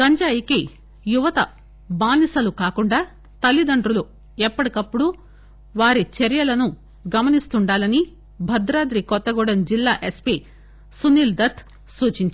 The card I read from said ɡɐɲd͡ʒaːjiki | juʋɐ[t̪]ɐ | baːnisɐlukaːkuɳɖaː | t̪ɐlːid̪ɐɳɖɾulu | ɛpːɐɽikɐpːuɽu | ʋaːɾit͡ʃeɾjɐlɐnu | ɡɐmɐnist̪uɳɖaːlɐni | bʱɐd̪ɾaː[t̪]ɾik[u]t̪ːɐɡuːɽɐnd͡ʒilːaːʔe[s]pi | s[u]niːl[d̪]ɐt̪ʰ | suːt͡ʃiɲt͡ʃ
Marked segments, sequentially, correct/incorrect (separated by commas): correct, incorrect, incorrect, correct, correct, correct